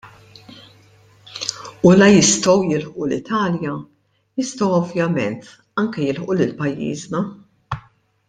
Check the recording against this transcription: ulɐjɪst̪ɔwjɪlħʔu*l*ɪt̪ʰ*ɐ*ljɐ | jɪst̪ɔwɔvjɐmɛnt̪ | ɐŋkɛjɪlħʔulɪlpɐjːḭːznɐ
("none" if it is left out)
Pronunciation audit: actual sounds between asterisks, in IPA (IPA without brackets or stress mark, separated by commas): l, ɐː